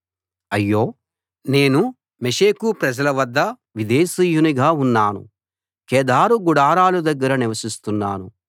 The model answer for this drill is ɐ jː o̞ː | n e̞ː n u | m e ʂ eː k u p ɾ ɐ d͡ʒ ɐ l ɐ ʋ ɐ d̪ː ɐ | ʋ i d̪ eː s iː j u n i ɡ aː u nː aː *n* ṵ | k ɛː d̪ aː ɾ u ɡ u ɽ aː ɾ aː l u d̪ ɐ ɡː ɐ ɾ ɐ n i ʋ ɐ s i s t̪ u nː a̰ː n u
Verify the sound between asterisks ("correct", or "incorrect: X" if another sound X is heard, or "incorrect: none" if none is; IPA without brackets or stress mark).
correct